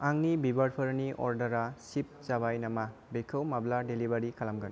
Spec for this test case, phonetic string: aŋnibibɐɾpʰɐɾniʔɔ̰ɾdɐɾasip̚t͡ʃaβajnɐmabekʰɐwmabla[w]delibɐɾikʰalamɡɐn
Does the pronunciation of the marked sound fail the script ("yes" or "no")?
yes